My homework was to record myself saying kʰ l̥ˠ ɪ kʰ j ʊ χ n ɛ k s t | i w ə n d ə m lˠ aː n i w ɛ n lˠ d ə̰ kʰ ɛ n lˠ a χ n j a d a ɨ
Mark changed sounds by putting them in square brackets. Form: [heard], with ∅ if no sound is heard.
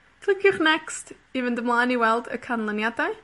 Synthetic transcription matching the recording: kʰ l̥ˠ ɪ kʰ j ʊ χ n ɛ k s t | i [v] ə n d ə m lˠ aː n i w ɛ [∅] lˠ d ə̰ kʰ [a] n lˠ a [∅] n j a d a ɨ